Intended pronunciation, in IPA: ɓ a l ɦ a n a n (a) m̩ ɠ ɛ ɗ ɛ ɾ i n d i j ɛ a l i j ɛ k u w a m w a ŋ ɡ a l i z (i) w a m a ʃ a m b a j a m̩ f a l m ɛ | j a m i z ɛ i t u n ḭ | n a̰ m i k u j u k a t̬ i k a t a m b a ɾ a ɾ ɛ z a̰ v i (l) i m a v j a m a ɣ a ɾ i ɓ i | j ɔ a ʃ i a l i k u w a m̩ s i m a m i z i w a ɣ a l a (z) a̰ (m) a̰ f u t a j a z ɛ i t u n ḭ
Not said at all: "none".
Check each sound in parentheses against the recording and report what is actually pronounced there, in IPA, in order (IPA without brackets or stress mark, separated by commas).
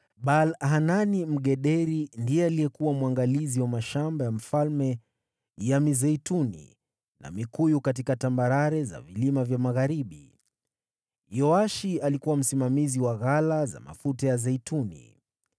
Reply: i, i, l, z, m